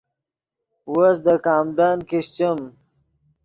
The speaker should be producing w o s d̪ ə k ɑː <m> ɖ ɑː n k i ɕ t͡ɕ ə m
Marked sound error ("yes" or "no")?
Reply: no